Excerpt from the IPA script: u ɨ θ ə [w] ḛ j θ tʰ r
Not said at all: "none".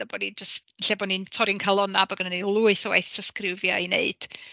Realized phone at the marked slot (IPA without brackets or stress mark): w